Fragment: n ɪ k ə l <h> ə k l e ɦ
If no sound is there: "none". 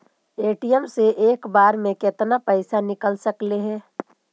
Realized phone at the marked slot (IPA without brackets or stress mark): s